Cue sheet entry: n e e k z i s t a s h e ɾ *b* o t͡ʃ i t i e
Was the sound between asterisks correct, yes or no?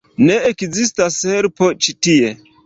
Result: no